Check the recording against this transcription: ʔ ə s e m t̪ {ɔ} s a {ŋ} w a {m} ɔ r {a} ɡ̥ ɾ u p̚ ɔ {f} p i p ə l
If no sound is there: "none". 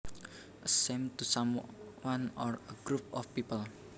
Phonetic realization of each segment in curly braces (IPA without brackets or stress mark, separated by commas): u, m, n, ə, f